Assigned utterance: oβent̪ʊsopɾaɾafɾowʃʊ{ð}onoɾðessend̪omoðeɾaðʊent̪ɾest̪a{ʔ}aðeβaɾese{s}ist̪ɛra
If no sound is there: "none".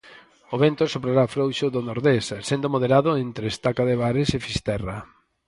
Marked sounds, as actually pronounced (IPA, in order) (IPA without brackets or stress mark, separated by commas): ð, k, f